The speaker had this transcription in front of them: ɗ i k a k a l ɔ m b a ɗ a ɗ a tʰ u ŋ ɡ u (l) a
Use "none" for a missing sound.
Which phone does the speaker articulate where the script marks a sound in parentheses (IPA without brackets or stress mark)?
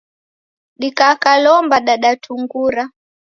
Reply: ɾ